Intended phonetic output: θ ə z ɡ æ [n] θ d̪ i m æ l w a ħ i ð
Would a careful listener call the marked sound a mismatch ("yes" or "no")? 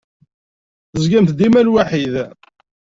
yes